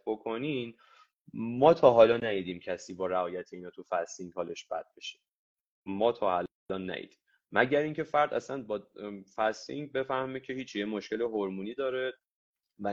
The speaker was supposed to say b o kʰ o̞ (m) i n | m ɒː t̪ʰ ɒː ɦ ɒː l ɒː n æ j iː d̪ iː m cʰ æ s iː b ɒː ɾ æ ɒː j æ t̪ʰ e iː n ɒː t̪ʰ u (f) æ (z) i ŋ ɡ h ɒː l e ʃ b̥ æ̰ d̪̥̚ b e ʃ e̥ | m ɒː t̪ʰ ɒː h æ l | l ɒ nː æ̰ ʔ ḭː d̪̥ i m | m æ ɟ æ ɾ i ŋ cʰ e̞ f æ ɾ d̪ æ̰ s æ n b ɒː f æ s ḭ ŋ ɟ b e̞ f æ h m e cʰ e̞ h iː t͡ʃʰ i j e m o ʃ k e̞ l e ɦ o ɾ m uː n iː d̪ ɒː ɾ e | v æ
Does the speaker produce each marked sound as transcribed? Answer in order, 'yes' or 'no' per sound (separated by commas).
no, yes, no